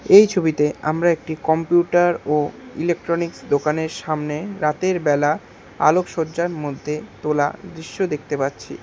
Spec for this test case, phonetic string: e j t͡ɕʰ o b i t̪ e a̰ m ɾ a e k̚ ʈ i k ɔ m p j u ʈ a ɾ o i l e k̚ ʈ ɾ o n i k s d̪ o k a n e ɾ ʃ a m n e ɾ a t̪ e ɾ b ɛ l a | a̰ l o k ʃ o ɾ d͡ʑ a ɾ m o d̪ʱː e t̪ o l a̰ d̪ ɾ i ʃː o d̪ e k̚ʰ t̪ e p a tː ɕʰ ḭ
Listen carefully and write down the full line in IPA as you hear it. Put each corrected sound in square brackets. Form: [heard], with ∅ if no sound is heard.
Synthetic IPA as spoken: e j t͡ɕʰ o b i t̪ e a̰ m ɾ a e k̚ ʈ i k ɔ m p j u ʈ a ɾ o i l e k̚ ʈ ɾ o n i k s d̪ o k a n e ɾ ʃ a m n e ɾ a t̪ e ɾ b ɛ l a | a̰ l o k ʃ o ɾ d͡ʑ a ɾ m o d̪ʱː e t̪ o l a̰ d̪ ɾ i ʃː o d̪ e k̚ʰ t̪ e p a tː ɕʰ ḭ